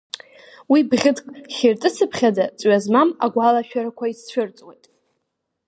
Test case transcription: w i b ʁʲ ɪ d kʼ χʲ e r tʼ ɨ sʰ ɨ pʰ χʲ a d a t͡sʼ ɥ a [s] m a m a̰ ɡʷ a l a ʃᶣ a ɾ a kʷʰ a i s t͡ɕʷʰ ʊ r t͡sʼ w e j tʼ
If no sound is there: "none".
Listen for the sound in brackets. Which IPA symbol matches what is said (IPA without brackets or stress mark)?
z